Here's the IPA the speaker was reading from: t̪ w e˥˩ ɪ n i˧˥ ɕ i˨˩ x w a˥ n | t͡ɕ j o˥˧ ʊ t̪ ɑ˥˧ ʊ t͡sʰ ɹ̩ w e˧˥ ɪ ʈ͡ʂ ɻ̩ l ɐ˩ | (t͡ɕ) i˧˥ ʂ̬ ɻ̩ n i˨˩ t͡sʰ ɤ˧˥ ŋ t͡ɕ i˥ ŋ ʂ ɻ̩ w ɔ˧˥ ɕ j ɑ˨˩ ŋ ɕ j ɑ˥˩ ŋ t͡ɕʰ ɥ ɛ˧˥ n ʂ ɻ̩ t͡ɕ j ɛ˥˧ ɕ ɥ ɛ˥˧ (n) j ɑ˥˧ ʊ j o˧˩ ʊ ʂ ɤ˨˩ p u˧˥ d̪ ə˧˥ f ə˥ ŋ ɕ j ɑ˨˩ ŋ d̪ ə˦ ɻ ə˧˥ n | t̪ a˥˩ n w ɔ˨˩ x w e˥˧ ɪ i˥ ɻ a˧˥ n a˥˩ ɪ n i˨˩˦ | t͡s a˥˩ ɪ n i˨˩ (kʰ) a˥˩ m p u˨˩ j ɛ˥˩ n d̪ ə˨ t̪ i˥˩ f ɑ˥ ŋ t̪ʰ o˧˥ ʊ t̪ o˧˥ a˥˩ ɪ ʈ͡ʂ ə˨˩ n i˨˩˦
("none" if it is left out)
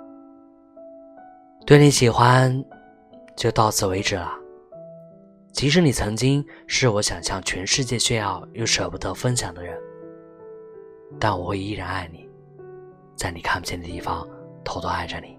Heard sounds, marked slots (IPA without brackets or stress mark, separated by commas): t͡ɕʰ, n, kʰ